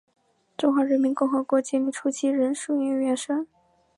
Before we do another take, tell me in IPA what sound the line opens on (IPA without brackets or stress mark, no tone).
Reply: ʈ͡ʂ